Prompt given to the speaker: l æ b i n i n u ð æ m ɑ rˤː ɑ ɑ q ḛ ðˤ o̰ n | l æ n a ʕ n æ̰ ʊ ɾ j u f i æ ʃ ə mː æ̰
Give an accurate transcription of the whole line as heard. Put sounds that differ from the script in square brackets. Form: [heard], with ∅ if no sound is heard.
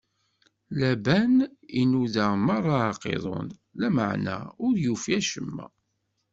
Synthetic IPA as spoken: l æ b [æ] n i n u ð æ m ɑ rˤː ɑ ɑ q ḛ ðˤ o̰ n | l æ [m] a ʕ n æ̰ ʊ ɾ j u f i æ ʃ ə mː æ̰